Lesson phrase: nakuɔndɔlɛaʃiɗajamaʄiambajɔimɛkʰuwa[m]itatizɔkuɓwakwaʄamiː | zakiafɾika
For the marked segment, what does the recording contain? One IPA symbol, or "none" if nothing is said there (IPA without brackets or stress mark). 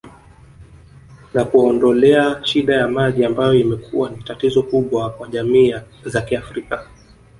n